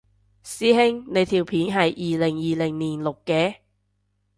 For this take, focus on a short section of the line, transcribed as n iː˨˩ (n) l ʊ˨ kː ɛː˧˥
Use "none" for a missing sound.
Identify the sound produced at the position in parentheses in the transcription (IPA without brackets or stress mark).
n